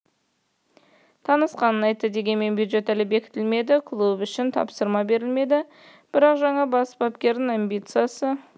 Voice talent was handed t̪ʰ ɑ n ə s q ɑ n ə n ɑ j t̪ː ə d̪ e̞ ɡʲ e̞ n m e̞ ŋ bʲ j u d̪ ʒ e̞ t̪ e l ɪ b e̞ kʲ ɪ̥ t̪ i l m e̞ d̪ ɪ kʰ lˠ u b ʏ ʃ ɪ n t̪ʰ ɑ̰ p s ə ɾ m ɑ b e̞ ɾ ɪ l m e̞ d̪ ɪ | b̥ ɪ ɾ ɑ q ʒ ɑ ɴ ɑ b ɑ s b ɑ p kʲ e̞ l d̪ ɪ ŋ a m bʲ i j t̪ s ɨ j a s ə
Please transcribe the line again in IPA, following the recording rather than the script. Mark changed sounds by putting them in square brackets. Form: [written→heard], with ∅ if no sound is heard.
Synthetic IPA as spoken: t̪ʰ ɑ n ə s q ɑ n ə n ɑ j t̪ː ə d̪ e̞ ɡʲ e̞ n m e̞ [ŋ→n] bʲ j u d̪ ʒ e̞ t̪ [e→æ] l ɪ b e̞ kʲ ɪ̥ t̪ [i→ɪ] l m e̞ d̪ ɪ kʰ lˠ u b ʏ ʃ ɪ n t̪ʰ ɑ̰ p s ə ɾ m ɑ b e̞ ɾ ɪ l m e̞ d̪ ɪ | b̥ ɪ ɾ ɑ q ʒ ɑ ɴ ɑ b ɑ s b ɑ p kʲ e̞ [l→ɾ] d̪ ɪ ŋ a m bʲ i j t̪ s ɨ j a s ə